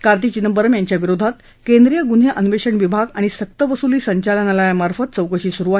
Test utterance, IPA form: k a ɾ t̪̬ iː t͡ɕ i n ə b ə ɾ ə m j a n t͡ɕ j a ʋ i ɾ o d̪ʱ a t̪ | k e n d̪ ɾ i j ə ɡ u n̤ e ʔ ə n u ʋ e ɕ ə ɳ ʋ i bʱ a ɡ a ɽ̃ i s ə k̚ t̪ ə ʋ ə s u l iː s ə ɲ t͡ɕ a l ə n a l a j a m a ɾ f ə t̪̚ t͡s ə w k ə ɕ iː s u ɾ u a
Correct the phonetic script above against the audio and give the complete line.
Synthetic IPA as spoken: k a ɾ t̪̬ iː t͡ɕ i n ə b ə ɾ ə m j a ɲ t͡ɕ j a ʋ i ɾ o d̪ʱ a t̪ | k e n d̪ ɾ i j ə ɡ u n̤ e ʔ ə n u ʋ e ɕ ə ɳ ʋ i bʱ a ɡ a ɽ̃ i s ə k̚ t̪ ə ʋ ə s u l iː s ə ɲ t͡ɕ a l ə n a l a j a m a ɾ f ə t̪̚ t͡s ə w k ə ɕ iː s u ɾ u a